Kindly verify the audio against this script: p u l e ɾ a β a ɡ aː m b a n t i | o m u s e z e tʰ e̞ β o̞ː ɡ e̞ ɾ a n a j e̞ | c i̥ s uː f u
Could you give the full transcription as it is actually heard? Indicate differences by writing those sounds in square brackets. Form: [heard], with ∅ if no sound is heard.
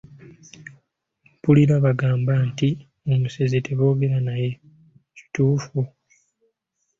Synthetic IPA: p u l [i] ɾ a β a ɡ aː m b a n t i | o m u s e z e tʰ e̞ β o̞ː ɡ e̞ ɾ a n a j e̞ | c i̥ [t] uː f u